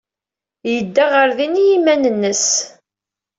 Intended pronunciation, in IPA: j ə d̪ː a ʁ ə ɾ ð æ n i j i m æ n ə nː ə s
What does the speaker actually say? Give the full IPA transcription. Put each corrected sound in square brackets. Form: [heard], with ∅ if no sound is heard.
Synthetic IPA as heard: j ə d̪ː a ʁ ə ɾ ð [i] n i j i m æ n ə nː ə s